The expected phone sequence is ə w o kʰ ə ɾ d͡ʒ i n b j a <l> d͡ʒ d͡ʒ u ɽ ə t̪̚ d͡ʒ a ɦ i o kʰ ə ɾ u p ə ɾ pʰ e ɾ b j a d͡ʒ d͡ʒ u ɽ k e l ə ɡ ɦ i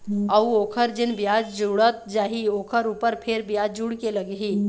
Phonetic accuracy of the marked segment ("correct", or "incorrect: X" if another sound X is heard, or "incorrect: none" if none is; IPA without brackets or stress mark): incorrect: none